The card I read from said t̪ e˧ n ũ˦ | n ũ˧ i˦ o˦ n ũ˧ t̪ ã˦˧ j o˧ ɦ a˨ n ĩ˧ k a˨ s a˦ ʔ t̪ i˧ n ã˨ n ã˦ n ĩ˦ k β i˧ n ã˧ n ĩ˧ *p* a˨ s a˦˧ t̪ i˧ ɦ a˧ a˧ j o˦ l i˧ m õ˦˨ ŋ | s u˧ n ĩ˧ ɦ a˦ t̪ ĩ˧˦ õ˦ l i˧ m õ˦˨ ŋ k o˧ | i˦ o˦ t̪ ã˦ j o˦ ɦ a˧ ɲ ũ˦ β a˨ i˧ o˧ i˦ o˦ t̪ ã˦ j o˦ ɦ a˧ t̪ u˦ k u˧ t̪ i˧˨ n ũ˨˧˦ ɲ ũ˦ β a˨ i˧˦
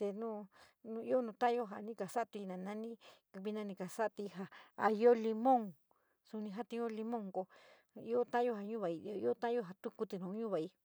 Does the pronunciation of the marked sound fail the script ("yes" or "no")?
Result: yes